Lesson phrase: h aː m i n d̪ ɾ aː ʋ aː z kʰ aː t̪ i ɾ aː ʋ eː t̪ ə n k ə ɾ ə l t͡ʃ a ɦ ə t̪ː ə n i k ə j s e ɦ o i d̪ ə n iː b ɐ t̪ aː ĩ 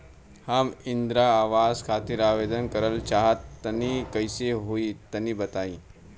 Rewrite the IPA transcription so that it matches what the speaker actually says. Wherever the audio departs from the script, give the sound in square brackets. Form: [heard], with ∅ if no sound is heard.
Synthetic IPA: h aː m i n d̪ ɾ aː ʋ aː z kʰ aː t̪ i ɾ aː ʋ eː [d̪] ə n k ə ɾ ə l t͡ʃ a ɦ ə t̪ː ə n i k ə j s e ɦ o i [t̪] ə n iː b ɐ t̪ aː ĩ